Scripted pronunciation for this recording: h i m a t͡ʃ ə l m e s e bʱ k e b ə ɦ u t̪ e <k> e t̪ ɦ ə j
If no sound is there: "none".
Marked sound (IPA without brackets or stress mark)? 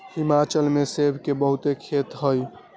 kʰ